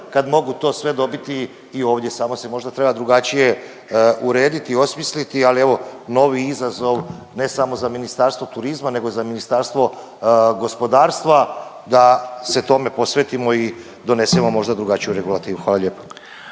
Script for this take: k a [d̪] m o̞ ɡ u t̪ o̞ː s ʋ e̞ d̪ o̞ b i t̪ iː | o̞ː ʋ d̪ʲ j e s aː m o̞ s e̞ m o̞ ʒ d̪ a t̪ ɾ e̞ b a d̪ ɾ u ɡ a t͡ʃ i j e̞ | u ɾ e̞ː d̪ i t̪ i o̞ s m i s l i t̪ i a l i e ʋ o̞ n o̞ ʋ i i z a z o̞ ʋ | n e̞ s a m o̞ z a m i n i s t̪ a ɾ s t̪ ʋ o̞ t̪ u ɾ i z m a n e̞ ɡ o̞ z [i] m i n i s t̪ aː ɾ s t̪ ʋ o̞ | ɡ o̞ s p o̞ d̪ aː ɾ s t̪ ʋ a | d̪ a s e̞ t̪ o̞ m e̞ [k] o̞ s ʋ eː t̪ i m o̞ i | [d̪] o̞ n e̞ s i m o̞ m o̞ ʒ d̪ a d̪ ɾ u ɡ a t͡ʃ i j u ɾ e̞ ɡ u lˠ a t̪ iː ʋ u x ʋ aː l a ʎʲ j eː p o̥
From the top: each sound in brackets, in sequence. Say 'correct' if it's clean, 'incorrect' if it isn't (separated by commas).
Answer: correct, incorrect, incorrect, correct